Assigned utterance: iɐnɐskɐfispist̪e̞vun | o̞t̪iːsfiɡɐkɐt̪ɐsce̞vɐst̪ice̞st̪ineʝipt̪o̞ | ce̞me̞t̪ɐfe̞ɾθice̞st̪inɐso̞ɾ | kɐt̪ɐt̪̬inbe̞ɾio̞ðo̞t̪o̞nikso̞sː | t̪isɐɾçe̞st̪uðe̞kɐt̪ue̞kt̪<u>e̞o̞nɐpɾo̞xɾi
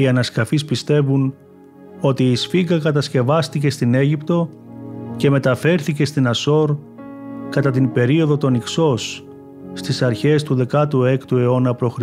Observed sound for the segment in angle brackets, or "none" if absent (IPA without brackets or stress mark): u